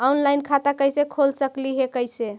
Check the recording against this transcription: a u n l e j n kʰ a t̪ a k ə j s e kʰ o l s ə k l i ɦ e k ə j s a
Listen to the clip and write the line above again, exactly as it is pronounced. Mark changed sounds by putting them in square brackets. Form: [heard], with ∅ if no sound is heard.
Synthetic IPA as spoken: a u n l [a] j n kʰ a t̪ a k ə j s e kʰ o l s ə k l i ɦ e k ə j s [e]